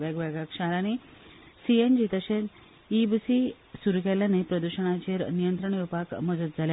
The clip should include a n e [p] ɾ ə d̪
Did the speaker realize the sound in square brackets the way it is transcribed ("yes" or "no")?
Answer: yes